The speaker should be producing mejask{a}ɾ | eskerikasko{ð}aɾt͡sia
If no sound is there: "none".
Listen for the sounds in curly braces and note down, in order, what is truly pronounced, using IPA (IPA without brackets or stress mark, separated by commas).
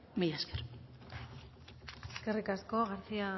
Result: e, ɣ